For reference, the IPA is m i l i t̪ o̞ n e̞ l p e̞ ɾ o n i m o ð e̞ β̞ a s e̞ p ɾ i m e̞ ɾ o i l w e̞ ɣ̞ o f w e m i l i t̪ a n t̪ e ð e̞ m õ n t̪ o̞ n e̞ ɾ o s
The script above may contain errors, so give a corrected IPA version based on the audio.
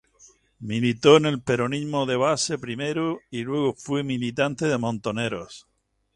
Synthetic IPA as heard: m i l i t̪ o̞ n e̞ l p e̞ ɾ o n i m o ð e̞ β̞ a s e̞ p ɾ i m e̞ ɾ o i l w e̞ ɣ̞ o f w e m i l i t̪ a n t̪ e ð e̞ m õ n t̪ o̞ n e̞ ɾ o s